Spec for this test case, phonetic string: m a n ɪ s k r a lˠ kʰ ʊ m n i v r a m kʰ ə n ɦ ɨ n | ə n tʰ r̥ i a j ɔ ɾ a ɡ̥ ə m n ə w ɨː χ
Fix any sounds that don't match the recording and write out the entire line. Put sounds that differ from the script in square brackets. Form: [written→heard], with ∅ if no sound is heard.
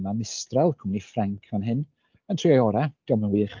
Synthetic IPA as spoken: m a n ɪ s [k→t] r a lˠ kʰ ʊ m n i [v→f] r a [m→ŋ] kʰ [ə→a] n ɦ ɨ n | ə n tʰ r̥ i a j ɔ ɾ a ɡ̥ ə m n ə w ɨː χ